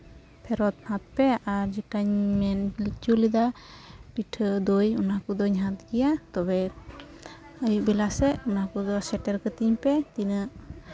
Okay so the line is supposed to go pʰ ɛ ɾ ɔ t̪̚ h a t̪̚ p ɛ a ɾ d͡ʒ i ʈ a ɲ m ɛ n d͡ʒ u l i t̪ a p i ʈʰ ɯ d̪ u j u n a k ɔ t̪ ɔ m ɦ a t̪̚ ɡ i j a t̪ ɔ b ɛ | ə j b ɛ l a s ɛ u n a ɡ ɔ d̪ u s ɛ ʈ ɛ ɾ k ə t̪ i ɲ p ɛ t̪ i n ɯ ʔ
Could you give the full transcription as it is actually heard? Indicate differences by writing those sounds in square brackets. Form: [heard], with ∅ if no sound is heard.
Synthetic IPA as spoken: pʰ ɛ ɾ ɔ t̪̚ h a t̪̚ p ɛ a ɾ d͡ʒ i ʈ a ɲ m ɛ n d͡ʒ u l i [d̪] a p i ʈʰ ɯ d̪ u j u n a k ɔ [d̪] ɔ [ɲ] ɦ a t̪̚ ɡ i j a t̪ ɔ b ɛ | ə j b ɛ l a s ɛ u n a [k] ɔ d̪ [ɔ] s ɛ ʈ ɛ ɾ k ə t̪ i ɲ p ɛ t̪ i n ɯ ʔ